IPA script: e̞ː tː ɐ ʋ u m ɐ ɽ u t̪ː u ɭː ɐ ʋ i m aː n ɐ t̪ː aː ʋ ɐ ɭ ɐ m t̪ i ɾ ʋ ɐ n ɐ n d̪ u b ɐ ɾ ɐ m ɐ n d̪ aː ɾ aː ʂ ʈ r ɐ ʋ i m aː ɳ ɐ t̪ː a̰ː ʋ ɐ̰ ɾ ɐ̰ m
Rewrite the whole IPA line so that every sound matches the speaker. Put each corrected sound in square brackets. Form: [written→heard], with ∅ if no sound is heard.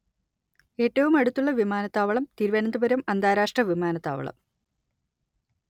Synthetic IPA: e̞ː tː ɐ ʋ u m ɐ ɽ u t̪ː u ɭː ɐ ʋ i m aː n ɐ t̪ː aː ʋ ɐ ɭ ɐ m t̪ i ɾ ʋ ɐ n ɐ n d̪ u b ɐ ɾ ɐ m ɐ n d̪ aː ɾ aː ʂ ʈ r ɐ ʋ i m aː [ɳ→n] ɐ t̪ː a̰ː ʋ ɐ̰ [ɾ→ɭ] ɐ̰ m